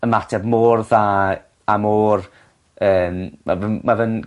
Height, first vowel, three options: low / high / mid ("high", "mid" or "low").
mid